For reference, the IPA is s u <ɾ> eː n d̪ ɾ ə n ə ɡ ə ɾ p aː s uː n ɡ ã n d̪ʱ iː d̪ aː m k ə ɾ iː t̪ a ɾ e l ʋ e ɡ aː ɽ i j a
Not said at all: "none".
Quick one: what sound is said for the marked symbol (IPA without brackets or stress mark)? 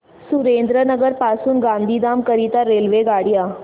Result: ɾ